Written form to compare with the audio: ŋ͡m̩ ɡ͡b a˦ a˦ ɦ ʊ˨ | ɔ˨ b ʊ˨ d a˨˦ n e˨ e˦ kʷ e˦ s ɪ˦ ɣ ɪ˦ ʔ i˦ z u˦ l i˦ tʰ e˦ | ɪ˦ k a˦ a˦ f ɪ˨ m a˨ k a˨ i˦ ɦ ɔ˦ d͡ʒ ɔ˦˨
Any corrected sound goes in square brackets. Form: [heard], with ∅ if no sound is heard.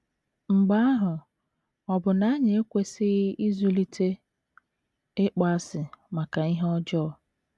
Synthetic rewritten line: ŋ͡m̩ ɡ͡b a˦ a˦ ɦ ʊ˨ | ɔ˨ b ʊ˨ [n] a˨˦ [ɲ] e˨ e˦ kʷ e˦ s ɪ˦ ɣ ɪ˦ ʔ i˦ z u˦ l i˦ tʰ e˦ | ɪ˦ [k͡p] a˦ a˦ [s] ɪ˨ m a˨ k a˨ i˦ ɦ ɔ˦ d͡ʒ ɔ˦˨